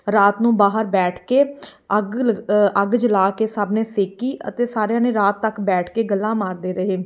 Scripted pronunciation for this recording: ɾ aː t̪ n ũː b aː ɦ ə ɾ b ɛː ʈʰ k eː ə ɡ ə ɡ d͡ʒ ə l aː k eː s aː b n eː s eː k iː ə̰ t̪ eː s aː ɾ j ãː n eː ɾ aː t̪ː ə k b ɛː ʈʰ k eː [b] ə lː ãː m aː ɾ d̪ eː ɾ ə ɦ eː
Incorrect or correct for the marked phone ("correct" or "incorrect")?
incorrect